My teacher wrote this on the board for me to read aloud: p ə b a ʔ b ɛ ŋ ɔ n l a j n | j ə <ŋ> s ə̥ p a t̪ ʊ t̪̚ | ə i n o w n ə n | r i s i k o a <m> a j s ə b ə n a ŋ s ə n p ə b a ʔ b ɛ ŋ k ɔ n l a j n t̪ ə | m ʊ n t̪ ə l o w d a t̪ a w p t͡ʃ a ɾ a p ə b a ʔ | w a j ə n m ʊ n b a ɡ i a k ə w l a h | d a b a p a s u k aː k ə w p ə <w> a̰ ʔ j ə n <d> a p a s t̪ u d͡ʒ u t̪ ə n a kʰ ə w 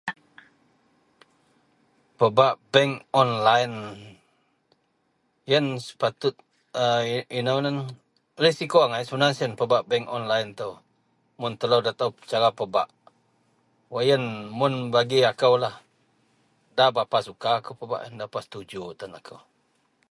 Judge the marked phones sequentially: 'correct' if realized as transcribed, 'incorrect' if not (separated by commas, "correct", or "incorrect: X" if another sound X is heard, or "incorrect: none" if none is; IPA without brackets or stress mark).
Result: incorrect: n, incorrect: ŋ, incorrect: b, correct